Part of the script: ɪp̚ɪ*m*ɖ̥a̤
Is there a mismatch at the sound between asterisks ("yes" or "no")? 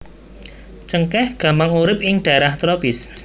yes